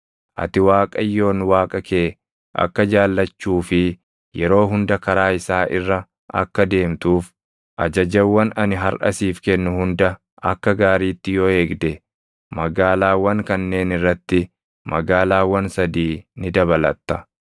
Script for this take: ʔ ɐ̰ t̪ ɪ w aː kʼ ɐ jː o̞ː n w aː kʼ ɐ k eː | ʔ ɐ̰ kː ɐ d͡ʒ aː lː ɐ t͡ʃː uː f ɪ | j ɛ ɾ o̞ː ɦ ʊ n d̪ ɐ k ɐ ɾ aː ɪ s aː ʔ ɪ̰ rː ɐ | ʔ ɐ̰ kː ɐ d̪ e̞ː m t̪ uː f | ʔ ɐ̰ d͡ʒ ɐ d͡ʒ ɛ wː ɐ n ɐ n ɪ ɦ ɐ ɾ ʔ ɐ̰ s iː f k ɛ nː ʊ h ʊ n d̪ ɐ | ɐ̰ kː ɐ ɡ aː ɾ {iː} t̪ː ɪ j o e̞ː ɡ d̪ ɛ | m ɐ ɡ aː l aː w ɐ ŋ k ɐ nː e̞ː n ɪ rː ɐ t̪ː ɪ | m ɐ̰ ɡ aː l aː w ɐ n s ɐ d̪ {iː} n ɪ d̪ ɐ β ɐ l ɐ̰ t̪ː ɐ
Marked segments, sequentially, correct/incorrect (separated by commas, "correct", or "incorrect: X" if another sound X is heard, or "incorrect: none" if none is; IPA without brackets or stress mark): correct, correct